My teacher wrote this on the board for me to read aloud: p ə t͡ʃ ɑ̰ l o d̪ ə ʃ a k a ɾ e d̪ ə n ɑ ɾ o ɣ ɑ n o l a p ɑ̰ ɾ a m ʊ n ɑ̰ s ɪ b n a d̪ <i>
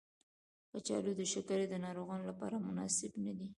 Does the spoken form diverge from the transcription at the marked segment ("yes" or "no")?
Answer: no